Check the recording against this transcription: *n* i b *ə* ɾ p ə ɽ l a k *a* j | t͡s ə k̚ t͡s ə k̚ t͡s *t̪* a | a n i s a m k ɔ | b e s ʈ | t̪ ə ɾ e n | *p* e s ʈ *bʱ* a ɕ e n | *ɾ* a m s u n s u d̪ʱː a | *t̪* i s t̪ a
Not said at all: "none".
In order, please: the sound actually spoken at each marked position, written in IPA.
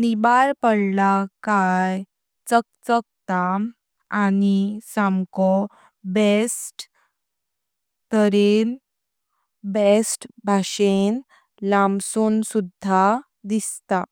n, a, a, t̪, b, bʱ, l, d̪

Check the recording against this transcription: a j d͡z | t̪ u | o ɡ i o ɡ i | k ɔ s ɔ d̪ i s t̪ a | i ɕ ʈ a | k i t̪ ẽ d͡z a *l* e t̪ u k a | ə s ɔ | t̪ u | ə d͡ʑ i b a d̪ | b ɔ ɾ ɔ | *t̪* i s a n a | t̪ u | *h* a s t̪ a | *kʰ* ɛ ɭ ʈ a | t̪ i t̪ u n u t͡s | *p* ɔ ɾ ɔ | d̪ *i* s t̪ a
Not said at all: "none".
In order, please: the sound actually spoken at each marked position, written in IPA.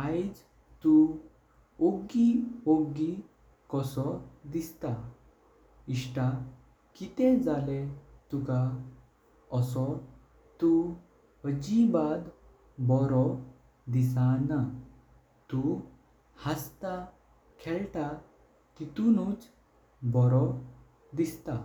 l, d̪, h, kʰ, b, i

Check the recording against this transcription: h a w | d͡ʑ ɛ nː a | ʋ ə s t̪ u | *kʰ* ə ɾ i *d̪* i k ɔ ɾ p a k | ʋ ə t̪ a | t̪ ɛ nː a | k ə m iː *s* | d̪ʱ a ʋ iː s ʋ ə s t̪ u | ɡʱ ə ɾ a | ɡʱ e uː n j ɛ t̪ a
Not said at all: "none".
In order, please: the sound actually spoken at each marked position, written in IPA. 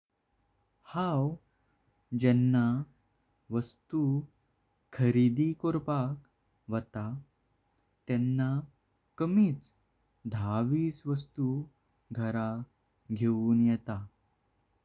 kʰ, d̪, t͡s

